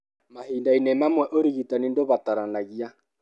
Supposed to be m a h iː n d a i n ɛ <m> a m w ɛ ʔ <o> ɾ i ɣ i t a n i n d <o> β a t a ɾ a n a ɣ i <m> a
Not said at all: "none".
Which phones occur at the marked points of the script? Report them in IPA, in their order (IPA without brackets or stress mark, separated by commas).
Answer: m, o, o, none